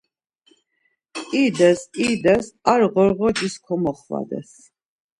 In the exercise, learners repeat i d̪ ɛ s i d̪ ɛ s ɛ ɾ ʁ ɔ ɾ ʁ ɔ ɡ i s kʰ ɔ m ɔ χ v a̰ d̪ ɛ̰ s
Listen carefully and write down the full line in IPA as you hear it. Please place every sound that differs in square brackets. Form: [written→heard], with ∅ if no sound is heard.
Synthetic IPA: i d̪ ɛ s i d̪ ɛ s [ɛ→a] ɾ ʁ ɔ ɾ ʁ ɔ ɡ i s kʰ ɔ m ɔ χ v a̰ d̪ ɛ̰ s